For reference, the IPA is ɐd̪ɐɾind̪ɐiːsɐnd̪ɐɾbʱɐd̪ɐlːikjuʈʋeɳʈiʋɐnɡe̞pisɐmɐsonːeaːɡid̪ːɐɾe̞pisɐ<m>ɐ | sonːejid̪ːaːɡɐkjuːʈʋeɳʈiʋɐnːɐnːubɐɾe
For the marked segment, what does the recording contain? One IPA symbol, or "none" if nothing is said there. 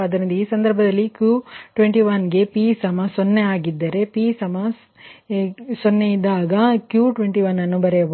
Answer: m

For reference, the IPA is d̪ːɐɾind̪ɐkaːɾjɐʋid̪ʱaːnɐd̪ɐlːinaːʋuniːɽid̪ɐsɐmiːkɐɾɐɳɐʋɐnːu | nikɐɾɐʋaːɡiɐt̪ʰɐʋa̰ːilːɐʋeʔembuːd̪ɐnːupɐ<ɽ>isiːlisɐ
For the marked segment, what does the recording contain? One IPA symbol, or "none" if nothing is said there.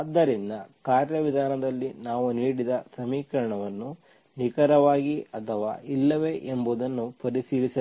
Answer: ɾ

